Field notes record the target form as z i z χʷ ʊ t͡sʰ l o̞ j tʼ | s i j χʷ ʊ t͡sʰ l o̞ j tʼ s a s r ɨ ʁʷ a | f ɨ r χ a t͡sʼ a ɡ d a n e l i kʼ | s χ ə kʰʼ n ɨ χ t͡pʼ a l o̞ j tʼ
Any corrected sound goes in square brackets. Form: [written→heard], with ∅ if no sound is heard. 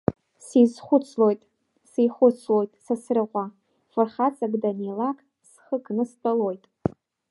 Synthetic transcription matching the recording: [z→s] i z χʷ ʊ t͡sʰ l o̞ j tʼ | s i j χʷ ʊ t͡sʰ l o̞ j tʼ s a s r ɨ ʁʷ a | f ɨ r χ a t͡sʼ a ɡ d a n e l [i→a] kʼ | s χ ə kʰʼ n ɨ [χ→s] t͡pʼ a l o̞ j tʼ